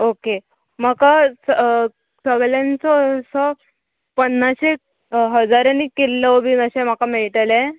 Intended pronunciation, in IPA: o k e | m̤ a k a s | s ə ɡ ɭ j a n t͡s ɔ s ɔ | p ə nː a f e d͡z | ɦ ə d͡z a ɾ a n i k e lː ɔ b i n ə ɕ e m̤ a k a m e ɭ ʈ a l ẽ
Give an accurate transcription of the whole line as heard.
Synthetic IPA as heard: o k e | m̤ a k a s | s ə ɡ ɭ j a n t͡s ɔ s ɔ | p ə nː a ɕ e | ɦ ə d͡z a ɾ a n i k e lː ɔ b i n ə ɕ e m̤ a k a m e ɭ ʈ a l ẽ